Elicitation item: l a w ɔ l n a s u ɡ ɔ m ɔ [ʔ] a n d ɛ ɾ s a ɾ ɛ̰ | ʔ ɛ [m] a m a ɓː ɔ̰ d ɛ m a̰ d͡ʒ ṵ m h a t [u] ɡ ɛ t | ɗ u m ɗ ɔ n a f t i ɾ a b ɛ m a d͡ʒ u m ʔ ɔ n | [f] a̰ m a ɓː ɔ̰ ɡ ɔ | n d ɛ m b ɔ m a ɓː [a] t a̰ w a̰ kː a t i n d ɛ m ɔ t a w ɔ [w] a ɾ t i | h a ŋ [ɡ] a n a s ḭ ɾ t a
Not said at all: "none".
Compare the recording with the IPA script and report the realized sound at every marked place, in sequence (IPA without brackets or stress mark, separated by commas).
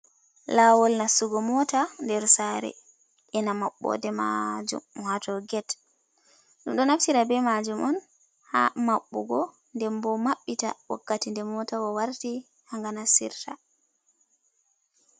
t, n, ɔ, h, i, w, ɡ